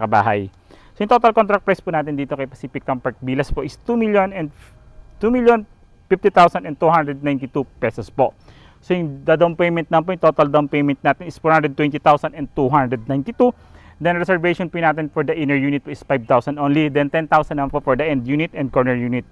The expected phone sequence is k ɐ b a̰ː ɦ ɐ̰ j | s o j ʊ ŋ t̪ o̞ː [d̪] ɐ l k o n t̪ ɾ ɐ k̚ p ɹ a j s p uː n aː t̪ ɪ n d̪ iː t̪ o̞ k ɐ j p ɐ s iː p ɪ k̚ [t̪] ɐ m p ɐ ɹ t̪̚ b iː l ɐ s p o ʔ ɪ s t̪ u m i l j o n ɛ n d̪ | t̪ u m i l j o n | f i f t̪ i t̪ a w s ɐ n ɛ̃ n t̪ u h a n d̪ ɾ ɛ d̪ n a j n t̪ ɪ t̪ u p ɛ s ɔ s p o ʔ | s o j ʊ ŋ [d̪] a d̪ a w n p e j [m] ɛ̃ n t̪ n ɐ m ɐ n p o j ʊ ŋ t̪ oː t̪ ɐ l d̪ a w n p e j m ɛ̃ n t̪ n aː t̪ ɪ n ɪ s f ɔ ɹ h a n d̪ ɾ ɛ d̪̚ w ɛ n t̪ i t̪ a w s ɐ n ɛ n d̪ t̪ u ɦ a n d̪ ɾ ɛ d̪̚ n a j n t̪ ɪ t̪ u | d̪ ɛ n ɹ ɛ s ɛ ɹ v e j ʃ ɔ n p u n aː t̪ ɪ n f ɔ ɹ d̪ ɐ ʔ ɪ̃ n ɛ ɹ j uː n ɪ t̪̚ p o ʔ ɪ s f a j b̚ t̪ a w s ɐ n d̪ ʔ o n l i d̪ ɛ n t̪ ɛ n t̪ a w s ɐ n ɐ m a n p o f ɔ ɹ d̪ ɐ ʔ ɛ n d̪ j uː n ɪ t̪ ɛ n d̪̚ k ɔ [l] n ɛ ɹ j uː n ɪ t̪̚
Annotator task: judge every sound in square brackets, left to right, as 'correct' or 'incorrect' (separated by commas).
incorrect, correct, correct, correct, incorrect